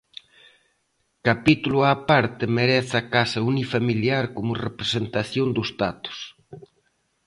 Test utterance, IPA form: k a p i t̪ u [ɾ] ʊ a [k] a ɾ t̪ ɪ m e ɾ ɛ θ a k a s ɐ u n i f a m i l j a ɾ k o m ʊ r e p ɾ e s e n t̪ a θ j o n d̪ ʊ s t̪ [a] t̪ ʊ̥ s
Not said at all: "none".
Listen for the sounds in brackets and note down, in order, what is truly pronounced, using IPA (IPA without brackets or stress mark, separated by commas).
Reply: l, p, a